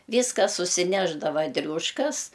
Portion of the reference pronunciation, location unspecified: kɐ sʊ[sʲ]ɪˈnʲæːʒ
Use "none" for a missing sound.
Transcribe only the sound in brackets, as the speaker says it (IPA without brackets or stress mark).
sʲ